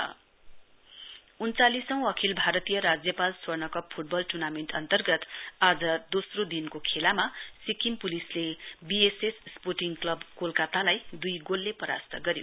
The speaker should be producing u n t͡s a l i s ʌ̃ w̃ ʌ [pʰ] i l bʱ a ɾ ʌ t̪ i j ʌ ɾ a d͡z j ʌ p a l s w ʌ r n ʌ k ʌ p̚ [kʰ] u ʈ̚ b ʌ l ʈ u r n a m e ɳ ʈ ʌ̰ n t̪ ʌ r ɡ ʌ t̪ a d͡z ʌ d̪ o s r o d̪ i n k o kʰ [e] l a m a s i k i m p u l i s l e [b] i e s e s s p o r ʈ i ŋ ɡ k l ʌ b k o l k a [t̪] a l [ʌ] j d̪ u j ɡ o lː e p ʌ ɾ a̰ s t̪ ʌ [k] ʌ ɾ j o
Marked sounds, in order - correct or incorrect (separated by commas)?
incorrect, incorrect, correct, correct, correct, incorrect, incorrect